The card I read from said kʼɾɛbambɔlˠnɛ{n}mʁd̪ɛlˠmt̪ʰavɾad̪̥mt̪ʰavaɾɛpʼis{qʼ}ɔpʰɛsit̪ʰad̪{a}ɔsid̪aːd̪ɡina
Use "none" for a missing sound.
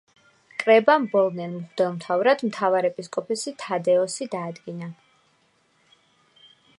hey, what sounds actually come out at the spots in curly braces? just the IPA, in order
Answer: n, kʼ, ɛ

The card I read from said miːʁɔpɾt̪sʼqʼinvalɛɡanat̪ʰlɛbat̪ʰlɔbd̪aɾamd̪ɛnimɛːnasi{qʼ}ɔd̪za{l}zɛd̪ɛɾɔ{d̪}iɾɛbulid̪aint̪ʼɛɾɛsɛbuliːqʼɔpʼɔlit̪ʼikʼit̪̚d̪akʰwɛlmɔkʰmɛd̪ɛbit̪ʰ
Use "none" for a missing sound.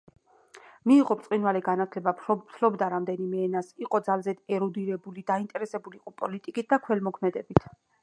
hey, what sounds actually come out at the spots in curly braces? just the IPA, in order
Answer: qʼ, l, d̪

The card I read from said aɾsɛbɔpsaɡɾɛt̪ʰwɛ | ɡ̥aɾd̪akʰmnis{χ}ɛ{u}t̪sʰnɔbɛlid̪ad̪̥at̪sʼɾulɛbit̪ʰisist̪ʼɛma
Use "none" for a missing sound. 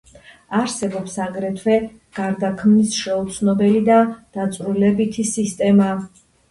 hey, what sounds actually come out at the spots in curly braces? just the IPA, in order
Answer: ʃ, u

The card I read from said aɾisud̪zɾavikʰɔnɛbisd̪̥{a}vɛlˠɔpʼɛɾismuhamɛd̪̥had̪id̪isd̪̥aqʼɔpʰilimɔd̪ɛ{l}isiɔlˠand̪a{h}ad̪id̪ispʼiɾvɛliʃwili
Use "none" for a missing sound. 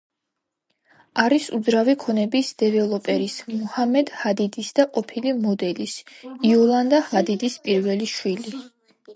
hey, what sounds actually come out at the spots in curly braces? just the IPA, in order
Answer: ɛ, l, h

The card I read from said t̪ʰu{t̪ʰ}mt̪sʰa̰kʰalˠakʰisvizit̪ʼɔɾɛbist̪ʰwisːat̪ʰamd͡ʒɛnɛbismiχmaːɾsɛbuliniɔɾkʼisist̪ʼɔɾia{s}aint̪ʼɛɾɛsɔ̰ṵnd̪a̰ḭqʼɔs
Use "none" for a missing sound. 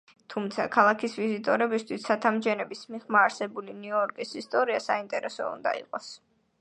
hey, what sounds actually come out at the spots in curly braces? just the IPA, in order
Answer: none, s

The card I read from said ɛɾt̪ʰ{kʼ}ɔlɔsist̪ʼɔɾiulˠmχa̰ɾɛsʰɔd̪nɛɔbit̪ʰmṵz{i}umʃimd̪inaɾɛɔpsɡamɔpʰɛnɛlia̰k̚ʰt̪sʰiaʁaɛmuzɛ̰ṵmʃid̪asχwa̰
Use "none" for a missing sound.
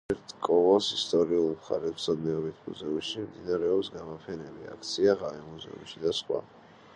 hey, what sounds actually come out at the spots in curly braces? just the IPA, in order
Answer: kʼ, ɛ

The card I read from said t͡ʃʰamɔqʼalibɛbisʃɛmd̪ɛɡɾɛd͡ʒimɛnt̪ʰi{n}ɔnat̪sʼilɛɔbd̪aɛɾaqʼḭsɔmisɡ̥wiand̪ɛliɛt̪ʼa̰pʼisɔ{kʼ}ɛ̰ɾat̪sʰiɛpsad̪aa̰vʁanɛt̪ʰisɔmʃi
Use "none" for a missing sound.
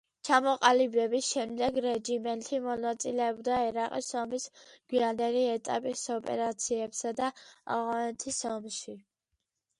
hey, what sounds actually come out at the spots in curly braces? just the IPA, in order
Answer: m, pʼ

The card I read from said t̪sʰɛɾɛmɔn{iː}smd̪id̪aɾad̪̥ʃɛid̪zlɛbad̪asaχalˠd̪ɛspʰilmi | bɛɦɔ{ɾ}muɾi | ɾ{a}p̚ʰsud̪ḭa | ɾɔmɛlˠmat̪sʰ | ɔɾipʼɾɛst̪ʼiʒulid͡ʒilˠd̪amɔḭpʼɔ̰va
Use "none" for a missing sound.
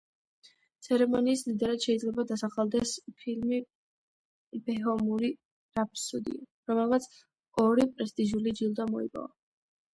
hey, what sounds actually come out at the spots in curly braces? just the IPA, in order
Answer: iː, none, a

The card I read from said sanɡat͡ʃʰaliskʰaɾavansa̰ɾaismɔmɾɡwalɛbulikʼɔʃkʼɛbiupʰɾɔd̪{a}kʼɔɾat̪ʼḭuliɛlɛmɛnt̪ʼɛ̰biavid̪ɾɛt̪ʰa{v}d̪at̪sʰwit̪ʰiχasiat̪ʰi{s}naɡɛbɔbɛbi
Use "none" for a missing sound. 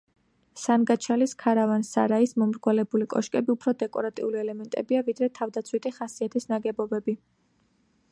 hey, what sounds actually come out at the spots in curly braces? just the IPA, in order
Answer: ɛ, v, s

